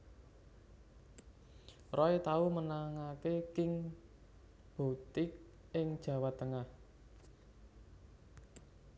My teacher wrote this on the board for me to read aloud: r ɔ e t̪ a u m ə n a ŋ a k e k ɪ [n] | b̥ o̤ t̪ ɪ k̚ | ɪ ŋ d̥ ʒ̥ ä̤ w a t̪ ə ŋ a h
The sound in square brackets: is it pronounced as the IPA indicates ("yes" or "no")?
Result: no